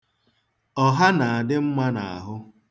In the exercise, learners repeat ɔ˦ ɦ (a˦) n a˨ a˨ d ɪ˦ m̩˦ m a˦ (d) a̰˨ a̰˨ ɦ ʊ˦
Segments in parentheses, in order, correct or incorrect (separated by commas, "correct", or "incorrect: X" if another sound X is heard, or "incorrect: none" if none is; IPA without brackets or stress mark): correct, incorrect: n